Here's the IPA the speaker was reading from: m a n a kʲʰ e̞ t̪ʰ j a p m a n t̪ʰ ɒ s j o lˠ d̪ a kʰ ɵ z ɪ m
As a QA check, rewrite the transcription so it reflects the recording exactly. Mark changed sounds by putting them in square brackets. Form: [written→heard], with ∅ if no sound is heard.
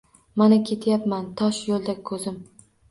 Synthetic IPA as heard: m a n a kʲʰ e̞ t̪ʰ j a p m a n t̪ʰ ɒ [s→ʃ] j o lˠ d̪ a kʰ ɵ z ɪ m

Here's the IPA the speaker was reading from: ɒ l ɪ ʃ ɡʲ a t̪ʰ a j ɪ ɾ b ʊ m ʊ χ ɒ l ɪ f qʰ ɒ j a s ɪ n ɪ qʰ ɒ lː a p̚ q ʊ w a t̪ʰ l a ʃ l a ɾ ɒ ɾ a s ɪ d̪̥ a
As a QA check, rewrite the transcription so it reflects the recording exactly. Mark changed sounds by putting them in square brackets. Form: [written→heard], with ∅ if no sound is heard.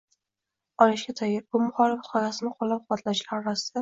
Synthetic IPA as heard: ɒ l ɪ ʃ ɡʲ a t̪ʰ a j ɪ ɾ b ʊ m ʊ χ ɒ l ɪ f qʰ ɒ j a s ɪ n ɪ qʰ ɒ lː a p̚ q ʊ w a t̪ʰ l a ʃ l a ɾ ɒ ɾ a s ɪ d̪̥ a

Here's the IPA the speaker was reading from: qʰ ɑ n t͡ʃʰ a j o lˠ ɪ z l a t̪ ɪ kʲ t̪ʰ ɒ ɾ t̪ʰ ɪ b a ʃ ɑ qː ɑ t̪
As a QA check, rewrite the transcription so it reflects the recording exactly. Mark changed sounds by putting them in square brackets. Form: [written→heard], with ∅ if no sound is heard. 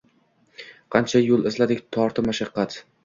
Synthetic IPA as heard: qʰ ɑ n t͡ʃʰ a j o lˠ ɪ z l a [t̪→d̪] ɪ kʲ t̪ʰ ɒ ɾ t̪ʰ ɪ [b→m] a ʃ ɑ qː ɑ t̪

